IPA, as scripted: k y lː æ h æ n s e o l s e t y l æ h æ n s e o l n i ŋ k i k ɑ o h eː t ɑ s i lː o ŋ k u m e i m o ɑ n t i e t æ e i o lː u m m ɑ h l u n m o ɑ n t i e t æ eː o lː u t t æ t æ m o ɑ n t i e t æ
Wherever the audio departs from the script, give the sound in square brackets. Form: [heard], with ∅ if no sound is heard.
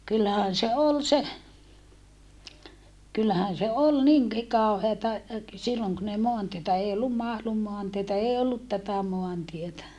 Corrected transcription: k y lː æ h æ n s e o l s e [k] y [lː] æ h æ n s e o l n i ŋ k i k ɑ o h eː t ɑ s i lː o ŋ k u [n] e i m o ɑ n t i e t æ e i o lː u m m ɑ h l u [m] m o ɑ n t i e t æ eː o lː u t t æ t æ m o ɑ n t i e t æ